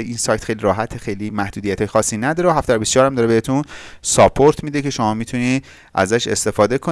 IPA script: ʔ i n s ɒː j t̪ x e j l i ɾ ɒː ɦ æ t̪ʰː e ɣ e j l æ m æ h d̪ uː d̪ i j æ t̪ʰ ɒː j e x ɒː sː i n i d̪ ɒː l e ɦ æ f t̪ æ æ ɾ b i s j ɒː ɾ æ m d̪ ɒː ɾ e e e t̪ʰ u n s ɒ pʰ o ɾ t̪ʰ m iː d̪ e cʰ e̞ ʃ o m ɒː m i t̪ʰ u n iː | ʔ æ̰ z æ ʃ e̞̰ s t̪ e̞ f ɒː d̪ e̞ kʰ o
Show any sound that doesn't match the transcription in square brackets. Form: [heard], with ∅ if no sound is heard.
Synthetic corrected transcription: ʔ i n s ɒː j t̪ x e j l i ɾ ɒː ɦ æ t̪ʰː e [x] e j l [i] m æ h d̪ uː d̪ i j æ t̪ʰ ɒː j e x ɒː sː i n [æ] d̪ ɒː [ɾ] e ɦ æ f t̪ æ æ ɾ b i s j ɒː ɾ æ m d̪ ɒː ɾ e e e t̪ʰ u n s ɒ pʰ o ɾ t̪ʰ m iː d̪ e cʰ e̞ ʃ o m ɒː m i t̪ʰ u n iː | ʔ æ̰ z æ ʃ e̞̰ s t̪ e̞ f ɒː d̪ e̞ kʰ o